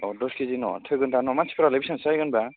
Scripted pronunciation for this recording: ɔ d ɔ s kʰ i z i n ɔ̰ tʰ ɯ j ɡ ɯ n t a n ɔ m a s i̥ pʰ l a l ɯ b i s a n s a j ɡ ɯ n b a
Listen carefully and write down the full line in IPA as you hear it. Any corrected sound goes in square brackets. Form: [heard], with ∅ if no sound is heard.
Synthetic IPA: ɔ d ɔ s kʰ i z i n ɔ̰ tʰ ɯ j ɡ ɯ n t a n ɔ m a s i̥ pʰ [ɾ] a l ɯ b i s a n s a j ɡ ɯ n b a